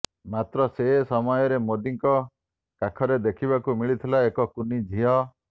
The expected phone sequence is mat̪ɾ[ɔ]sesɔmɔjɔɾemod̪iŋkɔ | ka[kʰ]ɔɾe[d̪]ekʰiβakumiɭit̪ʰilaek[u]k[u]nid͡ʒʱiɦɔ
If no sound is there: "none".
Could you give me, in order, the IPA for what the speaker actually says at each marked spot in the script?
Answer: ɔ, kʰ, d̪, ɔ, u

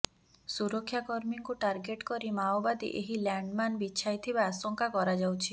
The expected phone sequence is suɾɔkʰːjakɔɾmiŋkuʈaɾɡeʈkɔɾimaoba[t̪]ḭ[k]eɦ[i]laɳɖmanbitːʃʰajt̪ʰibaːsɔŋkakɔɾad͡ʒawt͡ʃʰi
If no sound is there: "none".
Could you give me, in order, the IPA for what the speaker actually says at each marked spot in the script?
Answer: d̪, ʔ, i

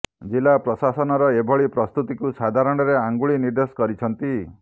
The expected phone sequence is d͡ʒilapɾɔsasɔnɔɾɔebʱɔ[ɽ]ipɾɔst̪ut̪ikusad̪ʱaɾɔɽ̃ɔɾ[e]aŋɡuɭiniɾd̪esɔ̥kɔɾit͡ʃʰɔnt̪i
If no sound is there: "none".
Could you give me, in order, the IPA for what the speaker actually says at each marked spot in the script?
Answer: ɭ, e

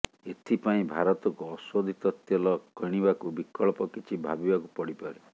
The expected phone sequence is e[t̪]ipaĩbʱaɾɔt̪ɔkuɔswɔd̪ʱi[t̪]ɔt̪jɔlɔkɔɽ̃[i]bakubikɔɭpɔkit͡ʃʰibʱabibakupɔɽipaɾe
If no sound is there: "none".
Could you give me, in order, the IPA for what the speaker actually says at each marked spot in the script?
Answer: t̪ʰ, t̪, i

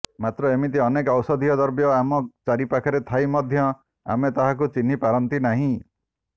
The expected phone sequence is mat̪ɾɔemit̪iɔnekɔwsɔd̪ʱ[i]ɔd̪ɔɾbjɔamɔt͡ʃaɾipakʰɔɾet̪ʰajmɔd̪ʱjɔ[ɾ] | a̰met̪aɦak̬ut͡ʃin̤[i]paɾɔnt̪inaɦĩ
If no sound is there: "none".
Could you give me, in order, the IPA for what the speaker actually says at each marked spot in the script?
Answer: i, none, i

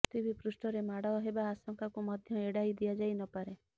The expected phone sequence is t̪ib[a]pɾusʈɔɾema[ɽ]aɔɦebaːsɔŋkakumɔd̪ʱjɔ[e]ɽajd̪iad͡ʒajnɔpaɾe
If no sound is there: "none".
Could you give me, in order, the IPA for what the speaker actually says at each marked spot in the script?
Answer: i, ɽ, e

